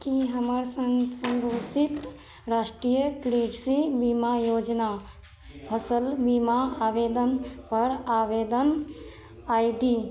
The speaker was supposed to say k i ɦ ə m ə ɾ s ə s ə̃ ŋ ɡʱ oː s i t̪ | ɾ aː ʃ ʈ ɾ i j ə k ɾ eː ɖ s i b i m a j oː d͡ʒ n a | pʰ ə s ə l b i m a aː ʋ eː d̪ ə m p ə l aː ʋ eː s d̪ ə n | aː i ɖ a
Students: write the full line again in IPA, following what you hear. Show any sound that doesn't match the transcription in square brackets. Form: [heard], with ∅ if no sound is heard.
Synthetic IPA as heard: k i ɦ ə m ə ɾ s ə s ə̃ ŋ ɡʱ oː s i t̪ | ɾ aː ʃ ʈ ɾ i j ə k ɾ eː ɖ s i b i m a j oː d͡ʒ n a | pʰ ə s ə l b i m a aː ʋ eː d̪ ə [n] p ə [ɾ] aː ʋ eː [∅] d̪ ə n | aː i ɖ [i]